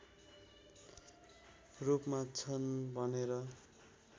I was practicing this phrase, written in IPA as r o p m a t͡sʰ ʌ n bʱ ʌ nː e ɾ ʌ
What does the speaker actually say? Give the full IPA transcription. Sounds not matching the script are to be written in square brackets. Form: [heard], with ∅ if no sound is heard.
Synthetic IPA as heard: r [u] p m a t͡sʰ ʌ n bʱ ʌ [n] e ɾ ʌ